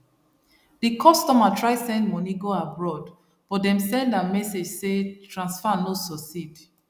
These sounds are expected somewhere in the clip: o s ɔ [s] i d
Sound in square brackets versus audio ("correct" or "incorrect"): correct